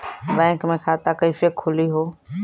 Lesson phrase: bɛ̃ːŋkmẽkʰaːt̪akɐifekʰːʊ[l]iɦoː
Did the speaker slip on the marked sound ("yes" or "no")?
no